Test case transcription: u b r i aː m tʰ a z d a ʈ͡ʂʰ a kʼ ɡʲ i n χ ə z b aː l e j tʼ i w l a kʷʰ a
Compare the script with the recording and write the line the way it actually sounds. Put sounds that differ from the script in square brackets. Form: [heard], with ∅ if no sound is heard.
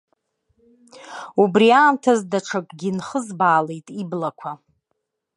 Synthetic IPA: u b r i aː m tʰ a z d a ʈ͡ʂʰ a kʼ ɡʲ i n χ ə z b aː l e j tʼ i [b] l a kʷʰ a